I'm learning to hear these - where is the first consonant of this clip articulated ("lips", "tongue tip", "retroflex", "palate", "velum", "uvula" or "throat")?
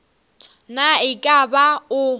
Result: tongue tip